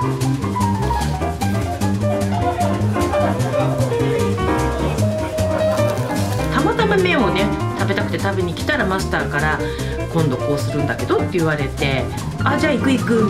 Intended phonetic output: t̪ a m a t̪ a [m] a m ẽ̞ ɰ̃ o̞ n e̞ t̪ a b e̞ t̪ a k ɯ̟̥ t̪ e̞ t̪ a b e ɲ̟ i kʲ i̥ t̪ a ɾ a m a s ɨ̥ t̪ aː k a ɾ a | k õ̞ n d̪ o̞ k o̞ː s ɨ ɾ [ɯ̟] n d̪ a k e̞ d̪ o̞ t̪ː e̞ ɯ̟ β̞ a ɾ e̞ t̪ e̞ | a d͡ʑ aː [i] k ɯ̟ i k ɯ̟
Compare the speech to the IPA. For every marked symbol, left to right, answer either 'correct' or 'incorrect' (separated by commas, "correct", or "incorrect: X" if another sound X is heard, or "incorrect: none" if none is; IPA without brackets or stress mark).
correct, incorrect: ɯ̟̃, correct